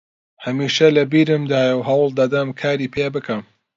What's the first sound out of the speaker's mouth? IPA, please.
h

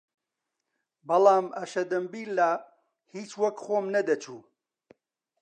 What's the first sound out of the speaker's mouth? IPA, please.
b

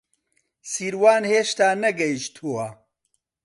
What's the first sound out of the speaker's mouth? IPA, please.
s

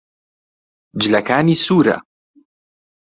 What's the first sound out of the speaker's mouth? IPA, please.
d͡ʒ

